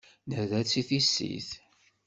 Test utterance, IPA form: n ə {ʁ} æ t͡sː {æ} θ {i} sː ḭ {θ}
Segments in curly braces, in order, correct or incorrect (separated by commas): incorrect, incorrect, correct, correct